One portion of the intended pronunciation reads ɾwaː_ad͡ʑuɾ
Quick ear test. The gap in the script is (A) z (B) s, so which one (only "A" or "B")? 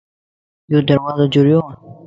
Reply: A